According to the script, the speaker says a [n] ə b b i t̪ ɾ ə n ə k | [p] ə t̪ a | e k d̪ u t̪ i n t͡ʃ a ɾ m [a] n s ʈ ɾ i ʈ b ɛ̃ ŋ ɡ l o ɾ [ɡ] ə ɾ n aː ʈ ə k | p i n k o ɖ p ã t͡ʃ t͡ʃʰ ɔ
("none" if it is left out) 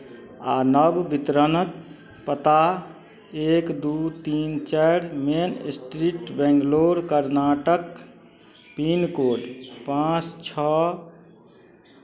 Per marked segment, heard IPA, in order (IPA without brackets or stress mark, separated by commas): n, p, e, k